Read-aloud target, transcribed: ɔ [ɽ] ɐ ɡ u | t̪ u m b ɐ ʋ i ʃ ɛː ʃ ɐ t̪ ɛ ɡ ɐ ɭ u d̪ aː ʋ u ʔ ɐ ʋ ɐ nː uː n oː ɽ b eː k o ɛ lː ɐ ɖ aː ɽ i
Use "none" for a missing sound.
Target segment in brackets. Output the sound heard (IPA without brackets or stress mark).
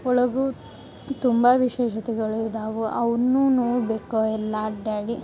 ɭ